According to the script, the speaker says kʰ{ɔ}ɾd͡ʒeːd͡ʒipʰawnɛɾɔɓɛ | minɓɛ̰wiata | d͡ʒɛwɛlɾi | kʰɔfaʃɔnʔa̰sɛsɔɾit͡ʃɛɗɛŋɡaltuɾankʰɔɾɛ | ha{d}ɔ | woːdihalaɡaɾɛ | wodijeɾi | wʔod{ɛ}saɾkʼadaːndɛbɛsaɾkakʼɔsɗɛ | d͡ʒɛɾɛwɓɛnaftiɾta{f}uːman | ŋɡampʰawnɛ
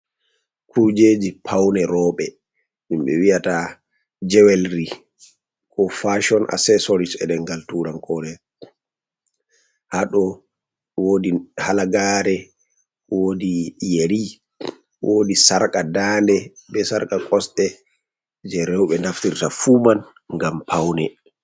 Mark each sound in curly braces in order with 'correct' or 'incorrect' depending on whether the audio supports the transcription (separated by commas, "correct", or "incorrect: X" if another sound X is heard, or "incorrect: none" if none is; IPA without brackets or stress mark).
incorrect: u, incorrect: ɗ, incorrect: i, correct